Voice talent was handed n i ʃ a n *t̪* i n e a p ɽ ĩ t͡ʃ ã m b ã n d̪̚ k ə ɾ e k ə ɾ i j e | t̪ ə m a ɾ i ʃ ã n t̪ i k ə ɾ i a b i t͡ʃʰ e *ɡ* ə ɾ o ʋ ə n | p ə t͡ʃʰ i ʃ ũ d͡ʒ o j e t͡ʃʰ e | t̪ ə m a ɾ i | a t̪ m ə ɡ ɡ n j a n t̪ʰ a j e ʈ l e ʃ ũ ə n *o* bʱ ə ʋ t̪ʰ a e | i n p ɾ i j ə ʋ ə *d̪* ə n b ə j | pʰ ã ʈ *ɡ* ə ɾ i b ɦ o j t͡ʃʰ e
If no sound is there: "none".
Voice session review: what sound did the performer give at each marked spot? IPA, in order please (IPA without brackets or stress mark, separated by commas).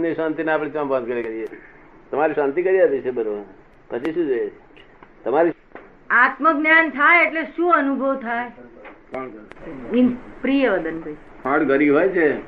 t̪, b, u, d̪, ɡ